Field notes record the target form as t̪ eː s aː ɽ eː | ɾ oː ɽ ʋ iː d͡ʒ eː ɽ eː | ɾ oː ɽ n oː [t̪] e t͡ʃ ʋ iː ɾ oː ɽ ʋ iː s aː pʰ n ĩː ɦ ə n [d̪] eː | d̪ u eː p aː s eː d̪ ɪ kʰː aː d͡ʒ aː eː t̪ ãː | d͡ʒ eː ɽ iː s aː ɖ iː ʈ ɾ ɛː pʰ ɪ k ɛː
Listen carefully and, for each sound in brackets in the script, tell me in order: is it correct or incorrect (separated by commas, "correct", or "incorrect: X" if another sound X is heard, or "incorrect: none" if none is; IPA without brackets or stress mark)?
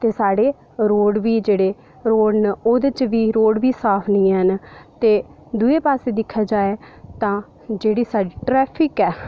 incorrect: d̪, incorrect: t̪